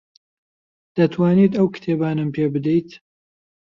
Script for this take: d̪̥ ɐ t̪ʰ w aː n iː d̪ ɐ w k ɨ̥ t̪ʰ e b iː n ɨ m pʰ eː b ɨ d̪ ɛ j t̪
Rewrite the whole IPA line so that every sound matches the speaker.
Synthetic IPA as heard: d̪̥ ɐ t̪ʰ w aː n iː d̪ ɐ w k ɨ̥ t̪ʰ e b aː n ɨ m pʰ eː b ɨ d̪ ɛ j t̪